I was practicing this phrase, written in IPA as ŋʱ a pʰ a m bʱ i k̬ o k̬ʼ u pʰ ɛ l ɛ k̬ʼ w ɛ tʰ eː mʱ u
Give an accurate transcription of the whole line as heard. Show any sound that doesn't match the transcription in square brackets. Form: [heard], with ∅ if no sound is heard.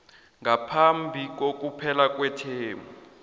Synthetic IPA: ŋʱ a pʰ a m bʱ i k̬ o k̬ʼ u pʰ ɛ l [a] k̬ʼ w ɛ tʰ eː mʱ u